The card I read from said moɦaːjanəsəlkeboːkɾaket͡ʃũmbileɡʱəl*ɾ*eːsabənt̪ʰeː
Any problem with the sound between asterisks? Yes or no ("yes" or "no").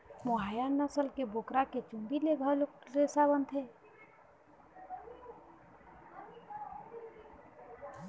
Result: no